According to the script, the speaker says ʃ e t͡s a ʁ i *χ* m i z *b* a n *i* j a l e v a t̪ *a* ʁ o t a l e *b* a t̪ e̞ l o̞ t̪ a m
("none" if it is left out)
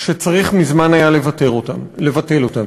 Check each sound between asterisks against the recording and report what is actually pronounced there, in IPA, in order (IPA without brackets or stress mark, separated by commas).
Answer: χ, m, a, e, v